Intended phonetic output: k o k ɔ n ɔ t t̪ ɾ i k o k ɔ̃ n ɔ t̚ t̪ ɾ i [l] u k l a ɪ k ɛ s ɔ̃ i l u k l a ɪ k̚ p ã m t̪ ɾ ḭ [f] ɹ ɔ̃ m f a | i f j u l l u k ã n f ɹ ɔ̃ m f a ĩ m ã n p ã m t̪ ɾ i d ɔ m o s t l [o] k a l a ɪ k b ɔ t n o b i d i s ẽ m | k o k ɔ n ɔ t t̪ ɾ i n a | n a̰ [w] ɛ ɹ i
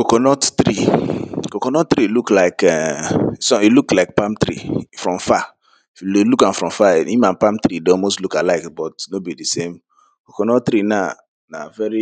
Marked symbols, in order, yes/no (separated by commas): yes, yes, no, no